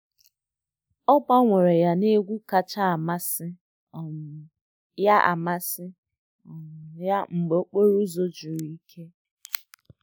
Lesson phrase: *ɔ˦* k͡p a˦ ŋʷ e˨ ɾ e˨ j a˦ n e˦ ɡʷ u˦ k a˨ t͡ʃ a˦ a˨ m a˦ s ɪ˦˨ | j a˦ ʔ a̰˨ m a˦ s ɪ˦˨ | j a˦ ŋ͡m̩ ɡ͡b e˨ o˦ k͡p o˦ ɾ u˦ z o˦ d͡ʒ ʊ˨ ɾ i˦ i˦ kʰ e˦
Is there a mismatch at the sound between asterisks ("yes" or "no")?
no